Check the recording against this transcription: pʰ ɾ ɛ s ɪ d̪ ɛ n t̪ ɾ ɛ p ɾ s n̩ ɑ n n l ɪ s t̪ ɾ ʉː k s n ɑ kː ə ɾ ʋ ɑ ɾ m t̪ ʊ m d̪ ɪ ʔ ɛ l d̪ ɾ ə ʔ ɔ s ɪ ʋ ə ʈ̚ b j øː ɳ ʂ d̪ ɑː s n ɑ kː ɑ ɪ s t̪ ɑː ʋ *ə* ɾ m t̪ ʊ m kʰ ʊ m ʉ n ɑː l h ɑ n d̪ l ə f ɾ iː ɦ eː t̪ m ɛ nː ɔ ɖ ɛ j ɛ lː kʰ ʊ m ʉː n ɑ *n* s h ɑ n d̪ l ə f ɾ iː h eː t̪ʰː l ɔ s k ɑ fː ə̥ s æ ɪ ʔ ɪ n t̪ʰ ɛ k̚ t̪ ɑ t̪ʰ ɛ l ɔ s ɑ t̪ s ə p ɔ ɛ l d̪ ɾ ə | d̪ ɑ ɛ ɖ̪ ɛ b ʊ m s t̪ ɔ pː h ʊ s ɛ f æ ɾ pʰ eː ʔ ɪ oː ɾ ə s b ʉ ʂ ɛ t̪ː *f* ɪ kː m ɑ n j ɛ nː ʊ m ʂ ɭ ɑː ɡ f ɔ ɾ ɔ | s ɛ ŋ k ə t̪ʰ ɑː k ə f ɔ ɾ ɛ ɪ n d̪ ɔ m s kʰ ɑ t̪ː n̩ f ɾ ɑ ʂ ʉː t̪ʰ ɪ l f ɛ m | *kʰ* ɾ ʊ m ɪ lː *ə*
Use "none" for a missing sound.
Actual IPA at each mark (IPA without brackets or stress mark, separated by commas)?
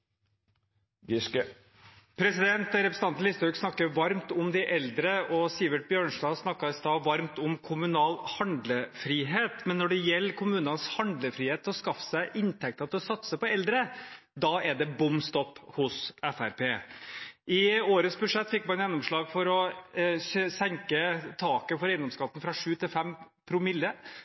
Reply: ɑ, n, f, pʰ, ə